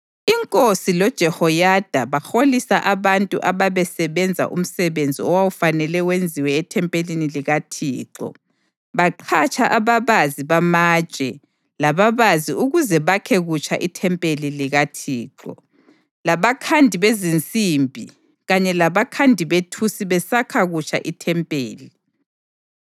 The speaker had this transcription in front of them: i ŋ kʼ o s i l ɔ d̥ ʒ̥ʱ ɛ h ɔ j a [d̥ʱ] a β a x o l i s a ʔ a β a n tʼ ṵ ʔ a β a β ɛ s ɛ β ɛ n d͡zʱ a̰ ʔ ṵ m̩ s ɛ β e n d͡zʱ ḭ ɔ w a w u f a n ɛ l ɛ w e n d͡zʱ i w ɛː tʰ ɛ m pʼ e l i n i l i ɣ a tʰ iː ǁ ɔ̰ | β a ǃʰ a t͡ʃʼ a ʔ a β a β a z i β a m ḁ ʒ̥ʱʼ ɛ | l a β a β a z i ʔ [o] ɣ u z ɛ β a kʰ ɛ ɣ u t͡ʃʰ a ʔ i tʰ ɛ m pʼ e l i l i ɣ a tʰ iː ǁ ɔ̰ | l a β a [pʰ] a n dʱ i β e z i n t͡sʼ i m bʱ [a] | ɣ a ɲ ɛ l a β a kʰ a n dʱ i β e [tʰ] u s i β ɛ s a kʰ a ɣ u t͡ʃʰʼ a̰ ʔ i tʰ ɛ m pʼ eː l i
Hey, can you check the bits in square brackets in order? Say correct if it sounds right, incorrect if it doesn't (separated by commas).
correct, incorrect, incorrect, incorrect, correct